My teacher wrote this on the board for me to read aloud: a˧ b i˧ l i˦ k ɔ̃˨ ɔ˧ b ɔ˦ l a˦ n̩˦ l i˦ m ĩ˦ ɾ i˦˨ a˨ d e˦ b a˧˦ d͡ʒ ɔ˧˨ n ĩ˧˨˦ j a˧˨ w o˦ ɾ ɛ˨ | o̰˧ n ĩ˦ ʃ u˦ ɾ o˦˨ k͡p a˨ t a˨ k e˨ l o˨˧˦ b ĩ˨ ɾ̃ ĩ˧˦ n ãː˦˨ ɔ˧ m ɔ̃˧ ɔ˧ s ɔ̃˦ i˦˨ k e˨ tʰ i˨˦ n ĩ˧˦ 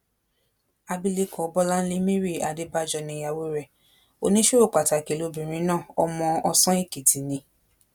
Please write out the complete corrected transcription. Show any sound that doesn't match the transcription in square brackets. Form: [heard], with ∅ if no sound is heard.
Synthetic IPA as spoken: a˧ b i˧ l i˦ k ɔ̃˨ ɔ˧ b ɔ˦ l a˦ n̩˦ l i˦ m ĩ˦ ɾ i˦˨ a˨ d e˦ b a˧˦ d͡ʒ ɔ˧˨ n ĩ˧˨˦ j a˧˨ w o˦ ɾ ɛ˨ | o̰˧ n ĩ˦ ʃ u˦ ɾ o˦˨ k͡p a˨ t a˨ k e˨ l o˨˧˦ b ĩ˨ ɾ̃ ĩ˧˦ n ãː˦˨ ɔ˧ m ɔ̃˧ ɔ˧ s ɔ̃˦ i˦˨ k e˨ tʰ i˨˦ n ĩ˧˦